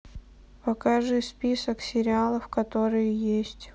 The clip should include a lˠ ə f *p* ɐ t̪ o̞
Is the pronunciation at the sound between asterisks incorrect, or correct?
incorrect